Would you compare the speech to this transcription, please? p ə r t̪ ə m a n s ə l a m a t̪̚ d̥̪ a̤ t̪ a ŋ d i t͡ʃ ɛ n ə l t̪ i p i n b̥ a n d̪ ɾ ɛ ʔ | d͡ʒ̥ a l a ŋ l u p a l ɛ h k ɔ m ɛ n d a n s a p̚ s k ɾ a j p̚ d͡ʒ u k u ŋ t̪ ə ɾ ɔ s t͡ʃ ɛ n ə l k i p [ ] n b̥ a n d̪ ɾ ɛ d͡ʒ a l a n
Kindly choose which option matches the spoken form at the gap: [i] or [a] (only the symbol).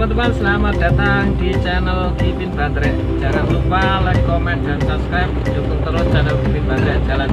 i